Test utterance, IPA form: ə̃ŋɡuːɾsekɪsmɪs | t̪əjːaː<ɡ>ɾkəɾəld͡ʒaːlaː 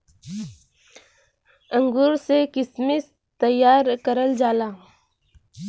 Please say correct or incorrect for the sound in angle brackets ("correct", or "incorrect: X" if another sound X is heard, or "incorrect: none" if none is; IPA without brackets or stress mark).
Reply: incorrect: none